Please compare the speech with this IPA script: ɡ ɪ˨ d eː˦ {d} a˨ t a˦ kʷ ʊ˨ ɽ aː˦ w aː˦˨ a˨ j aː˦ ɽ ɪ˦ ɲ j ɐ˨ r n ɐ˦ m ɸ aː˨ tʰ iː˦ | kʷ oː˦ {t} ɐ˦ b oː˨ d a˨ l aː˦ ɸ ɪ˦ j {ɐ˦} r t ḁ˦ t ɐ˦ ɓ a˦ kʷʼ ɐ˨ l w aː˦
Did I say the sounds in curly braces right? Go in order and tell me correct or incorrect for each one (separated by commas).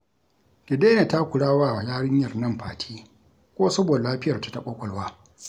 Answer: incorrect, incorrect, incorrect